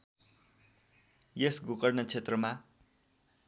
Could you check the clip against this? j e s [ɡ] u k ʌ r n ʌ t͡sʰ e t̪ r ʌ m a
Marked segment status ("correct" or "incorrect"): correct